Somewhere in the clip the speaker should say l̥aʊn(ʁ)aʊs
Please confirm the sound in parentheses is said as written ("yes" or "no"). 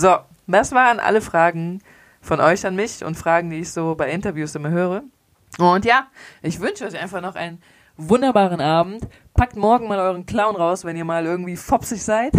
yes